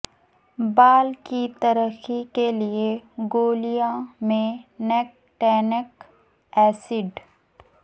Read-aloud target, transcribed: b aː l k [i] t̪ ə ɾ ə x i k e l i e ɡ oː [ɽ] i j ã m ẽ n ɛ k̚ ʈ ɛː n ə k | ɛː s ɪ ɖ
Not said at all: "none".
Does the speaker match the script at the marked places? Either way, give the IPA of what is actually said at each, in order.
i, l

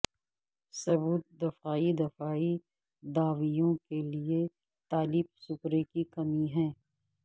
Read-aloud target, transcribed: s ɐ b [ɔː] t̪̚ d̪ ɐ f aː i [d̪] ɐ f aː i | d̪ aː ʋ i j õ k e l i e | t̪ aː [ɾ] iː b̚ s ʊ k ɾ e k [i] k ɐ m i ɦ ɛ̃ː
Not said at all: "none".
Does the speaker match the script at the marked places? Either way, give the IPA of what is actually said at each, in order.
uː, d̪, l, i

